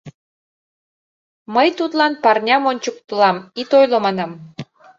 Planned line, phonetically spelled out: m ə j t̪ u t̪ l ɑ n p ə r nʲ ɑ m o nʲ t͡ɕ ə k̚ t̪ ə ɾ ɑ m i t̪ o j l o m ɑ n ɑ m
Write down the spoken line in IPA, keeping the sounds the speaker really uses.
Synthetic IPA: m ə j t̪ u t̪ l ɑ n p ɑ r nʲ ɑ m o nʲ t͡ɕ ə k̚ t̪ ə l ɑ m i t̪ o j l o m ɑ n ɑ m